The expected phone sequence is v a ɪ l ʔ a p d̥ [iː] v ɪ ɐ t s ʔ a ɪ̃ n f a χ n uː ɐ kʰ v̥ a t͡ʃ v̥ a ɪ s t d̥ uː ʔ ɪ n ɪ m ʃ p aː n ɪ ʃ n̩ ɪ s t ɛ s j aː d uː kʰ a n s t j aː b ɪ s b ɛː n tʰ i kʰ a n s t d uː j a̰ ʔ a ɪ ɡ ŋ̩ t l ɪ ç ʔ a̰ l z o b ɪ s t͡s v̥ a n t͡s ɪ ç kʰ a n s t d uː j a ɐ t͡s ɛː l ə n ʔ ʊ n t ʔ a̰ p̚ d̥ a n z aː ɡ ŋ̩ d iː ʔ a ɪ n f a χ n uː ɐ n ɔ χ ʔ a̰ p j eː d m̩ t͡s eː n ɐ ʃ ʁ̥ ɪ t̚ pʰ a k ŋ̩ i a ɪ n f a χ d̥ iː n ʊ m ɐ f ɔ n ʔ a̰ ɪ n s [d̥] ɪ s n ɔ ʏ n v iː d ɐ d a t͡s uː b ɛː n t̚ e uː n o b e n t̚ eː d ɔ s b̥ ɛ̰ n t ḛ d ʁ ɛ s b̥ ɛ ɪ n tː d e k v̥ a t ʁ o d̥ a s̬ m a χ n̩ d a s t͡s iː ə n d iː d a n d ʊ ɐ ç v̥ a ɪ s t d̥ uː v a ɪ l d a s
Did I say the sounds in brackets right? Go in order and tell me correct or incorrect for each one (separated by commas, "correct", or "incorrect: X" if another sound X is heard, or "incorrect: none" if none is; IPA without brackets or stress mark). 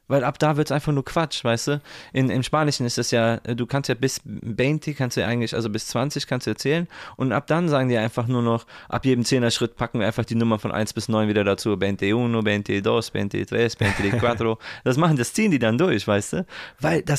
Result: incorrect: aː, incorrect: b̥